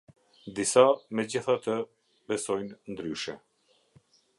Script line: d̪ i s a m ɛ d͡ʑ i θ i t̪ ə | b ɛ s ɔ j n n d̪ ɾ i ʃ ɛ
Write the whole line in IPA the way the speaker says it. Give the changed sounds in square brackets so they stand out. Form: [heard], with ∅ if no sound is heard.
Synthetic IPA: d̪ i s a m ɛ d͡ʑ i θ [a] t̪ ə | b ɛ s ɔ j n n d̪ ɾ [y] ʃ ɛ